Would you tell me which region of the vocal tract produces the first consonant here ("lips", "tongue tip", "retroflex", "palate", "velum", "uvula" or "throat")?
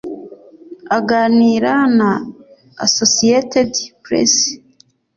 velum